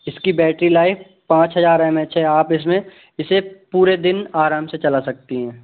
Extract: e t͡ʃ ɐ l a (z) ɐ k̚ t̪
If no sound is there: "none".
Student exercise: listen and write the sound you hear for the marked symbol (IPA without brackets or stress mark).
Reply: s